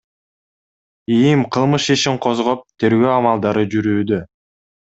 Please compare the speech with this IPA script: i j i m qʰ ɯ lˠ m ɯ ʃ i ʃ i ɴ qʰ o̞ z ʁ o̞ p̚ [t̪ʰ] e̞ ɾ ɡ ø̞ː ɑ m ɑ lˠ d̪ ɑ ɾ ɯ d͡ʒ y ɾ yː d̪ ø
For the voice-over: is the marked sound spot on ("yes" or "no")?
yes